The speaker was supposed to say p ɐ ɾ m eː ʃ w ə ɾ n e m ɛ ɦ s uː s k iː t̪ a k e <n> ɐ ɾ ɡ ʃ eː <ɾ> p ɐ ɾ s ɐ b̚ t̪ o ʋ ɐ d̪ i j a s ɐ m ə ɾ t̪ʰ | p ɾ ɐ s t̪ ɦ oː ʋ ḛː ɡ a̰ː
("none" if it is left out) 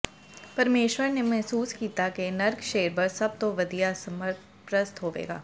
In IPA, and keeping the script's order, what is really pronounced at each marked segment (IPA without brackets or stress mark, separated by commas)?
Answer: n, ɾ